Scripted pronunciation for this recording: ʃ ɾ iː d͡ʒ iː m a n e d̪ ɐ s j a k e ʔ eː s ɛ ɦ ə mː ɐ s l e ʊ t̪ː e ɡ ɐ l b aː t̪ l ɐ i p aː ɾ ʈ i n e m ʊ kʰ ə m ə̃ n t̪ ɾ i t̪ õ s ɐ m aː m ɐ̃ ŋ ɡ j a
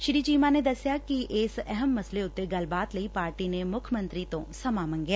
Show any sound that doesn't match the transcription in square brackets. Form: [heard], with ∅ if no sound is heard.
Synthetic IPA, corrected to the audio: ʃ ɾ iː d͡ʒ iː m a n e d̪ ɐ s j a k [i] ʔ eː s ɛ ɦ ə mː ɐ s l e ʊ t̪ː e ɡ ɐ l b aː t̪ l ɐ i p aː ɾ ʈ i n e m ʊ kʰ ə m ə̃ n t̪ ɾ i t̪ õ s ɐ m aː m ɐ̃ ŋ ɡ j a